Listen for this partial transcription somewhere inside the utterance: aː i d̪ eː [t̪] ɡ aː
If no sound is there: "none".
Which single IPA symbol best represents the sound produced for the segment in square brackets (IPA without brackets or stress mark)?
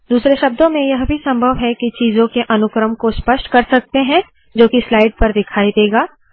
none